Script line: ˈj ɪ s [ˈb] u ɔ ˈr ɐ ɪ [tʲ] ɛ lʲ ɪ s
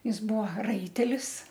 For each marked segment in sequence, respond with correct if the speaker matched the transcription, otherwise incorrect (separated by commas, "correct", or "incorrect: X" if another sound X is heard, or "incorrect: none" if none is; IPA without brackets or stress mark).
correct, correct